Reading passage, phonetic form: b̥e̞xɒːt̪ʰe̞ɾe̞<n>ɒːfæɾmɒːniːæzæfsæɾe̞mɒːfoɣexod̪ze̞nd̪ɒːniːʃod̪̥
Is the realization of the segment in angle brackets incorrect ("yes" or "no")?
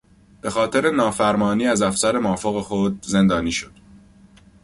no